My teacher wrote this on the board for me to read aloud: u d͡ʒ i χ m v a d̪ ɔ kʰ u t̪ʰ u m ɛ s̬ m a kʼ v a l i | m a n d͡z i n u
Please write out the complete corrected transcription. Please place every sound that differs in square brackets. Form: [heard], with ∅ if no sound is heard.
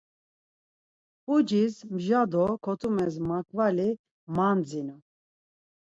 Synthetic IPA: u d͡ʒ i [s] m [ʒ] a d̪ ɔ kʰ [ɔ] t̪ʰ u m ɛ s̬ m a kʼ v a l i | m a n d͡z i n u